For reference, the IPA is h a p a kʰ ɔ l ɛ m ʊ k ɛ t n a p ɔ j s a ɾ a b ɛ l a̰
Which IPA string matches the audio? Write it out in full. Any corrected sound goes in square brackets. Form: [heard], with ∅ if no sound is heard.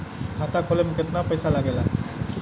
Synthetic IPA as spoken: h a [t] a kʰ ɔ l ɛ m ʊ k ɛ t n a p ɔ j s a [l] a [ɡ] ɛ l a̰